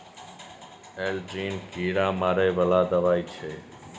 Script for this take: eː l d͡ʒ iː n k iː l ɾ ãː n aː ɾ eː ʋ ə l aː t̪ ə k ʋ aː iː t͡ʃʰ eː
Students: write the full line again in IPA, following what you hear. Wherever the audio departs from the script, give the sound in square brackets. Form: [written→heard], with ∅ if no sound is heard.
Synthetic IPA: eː l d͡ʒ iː n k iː [l→∅] ɾ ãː [n→m] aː ɾ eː ʋ ə l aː [t̪→d̪] ə [k→∅] ʋ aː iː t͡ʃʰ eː